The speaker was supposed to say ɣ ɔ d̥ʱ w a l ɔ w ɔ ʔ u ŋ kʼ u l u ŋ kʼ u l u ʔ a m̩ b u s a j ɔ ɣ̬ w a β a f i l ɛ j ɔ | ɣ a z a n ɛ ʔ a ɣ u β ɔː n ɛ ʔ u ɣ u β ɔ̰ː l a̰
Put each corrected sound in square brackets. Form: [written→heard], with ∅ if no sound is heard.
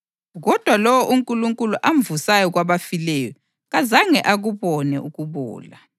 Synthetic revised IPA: ɣ ɔ d̥ʱ w a l ɔ w ɔ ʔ u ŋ kʼ u l u ŋ kʼ u l u ʔ a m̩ [b→v] u s a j ɔ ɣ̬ w a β a f i l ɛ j ɔ | ɣ a z a [n→ŋ] ɛ ʔ a ɣ u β [ɔː→ɔ] n ɛ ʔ u ɣ u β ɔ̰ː l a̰